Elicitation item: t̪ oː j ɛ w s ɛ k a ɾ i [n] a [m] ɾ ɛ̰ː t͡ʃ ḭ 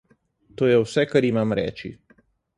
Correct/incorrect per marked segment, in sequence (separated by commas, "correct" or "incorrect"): incorrect, correct